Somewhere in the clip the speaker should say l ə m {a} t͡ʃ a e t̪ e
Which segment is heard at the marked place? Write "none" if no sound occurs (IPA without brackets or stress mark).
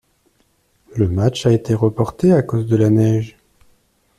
a